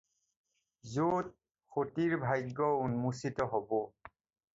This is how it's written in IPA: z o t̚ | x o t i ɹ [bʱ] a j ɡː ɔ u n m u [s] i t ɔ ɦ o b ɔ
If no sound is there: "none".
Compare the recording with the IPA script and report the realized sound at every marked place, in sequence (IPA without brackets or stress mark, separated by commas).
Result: bʱ, s